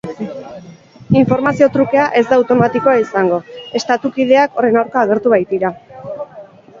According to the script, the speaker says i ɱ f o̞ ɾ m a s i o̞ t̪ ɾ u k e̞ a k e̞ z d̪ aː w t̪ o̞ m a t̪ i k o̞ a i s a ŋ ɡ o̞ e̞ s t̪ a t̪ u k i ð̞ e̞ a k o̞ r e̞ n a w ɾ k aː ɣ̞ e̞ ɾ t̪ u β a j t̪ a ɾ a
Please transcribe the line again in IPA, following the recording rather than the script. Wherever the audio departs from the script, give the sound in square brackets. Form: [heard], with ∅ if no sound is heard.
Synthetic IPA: i ɱ f o̞ ɾ m a s i o̞ t̪ ɾ u k e̞ a [ʔ] e̞ z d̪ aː w t̪ o̞ m a t̪ i k o̞ a i s a ŋ ɡ o̞ e̞ s t̪ a t̪ u k i ð̞ e̞ a k o̞ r e̞ n a w ɾ k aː ɣ̞ e̞ ɾ t̪ u β a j t̪ [i] ɾ a